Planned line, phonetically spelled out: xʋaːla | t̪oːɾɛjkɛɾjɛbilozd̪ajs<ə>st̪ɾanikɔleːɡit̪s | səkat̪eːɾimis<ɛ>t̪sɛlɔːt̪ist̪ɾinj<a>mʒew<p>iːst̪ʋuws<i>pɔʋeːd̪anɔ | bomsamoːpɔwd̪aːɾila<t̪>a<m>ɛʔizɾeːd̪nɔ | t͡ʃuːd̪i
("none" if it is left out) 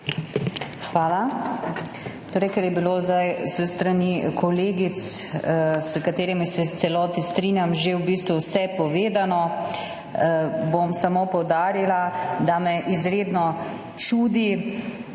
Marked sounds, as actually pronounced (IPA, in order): ə, ɛ, a, b, ɛ, d̪, m

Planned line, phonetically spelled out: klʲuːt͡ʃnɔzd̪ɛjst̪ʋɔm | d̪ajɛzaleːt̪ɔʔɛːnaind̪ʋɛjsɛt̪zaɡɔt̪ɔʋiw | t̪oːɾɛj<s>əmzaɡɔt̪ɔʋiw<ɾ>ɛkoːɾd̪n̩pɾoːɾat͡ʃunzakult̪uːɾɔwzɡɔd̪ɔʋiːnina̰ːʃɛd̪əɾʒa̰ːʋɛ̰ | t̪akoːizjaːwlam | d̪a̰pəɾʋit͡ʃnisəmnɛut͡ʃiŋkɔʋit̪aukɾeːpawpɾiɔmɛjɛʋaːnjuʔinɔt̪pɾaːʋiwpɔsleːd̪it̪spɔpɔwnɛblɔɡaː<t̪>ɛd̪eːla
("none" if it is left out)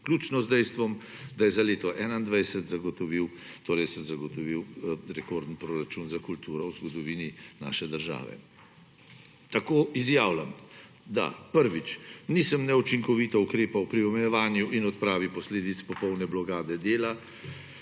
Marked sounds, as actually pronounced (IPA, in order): s, ɾ, d̪

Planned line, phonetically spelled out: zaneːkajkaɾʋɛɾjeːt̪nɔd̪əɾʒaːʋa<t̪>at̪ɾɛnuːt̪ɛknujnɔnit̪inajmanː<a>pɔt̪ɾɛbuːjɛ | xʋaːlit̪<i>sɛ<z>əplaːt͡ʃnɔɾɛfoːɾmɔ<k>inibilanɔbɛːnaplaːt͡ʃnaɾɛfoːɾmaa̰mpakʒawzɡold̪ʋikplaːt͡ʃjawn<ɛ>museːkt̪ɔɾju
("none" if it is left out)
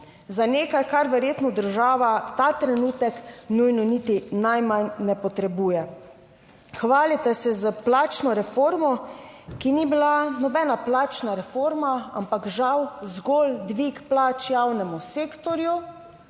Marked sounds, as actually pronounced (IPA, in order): t̪, ɛ, ɛ, z, k, ɛ

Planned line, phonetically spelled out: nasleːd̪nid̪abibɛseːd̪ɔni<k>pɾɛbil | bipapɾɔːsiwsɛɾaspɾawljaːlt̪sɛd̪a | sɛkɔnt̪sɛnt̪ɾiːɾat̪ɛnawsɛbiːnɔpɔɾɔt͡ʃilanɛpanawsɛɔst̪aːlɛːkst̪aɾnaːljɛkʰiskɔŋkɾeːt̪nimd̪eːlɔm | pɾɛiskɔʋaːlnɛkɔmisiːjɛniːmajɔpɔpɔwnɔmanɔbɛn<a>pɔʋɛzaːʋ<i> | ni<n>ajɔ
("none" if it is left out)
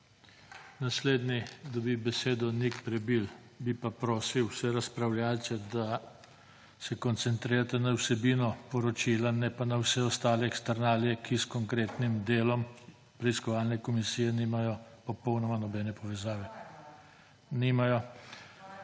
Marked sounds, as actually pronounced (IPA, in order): k, ɛ, ɛ, m

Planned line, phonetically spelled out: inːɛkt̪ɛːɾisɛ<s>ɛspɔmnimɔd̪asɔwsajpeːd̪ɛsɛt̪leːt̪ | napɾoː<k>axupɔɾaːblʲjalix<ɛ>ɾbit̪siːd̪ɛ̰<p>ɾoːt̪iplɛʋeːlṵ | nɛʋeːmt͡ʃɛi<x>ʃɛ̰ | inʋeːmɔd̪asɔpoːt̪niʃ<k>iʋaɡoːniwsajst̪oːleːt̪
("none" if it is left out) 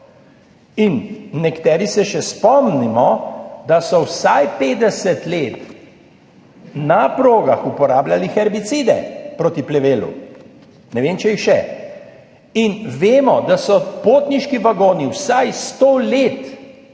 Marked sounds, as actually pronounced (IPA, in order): ʃ, ɡ, ɛ, p, x, k

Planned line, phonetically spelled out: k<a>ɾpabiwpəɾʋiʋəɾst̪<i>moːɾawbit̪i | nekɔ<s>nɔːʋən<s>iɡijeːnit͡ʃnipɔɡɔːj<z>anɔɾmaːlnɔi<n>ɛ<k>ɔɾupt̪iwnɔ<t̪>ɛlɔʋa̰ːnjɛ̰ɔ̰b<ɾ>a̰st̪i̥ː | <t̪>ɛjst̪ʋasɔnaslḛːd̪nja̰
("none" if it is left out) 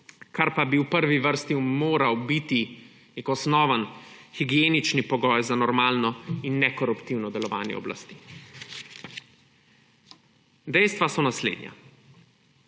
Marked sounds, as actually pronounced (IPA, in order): a, i, s, x, z, nː, k, d̪, l, d̪

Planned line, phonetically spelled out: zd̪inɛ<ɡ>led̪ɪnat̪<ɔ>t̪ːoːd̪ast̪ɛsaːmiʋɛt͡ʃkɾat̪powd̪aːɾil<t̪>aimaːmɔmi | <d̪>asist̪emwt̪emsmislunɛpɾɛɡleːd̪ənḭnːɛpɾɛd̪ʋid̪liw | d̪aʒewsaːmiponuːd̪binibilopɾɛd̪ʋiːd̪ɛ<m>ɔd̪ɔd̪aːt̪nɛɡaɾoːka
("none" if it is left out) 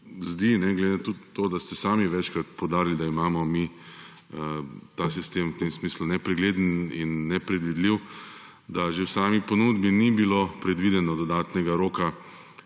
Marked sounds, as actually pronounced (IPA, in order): ɡ, u, d̪, t̪, n

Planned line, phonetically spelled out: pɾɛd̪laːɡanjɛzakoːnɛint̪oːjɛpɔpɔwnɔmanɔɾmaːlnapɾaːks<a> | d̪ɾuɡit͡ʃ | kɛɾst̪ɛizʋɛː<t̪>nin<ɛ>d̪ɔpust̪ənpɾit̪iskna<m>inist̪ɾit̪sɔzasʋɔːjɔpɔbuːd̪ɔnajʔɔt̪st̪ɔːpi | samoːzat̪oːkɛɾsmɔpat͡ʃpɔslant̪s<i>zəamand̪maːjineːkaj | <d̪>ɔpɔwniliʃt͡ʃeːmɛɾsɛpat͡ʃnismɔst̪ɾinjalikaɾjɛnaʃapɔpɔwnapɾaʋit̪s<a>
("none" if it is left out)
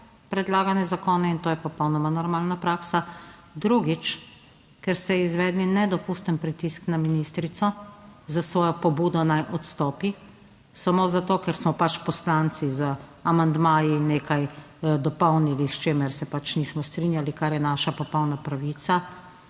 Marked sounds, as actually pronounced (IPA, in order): a, d̪, ɛ, m, i, d̪, a

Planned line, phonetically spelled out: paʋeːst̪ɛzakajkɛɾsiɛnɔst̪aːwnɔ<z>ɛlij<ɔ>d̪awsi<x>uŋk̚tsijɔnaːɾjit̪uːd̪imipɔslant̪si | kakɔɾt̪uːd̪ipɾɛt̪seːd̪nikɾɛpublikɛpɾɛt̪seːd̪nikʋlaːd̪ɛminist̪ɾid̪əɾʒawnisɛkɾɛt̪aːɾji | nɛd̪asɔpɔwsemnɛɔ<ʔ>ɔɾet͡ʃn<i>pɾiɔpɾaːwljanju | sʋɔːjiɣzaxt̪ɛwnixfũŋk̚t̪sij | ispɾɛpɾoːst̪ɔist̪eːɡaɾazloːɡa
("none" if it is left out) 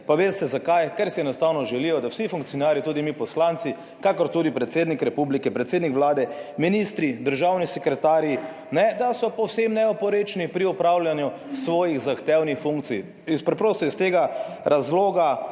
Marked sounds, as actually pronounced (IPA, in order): ʒ, ɔ, f, p, i

